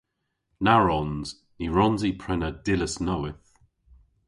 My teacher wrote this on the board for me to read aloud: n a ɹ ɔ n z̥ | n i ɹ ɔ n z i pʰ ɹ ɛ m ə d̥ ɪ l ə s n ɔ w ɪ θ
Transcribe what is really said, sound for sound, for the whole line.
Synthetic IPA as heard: n a ɹ ɔ n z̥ | n i ɹ ɔ n z i pʰ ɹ ɛ n ə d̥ ɪ l ə s n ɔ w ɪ θ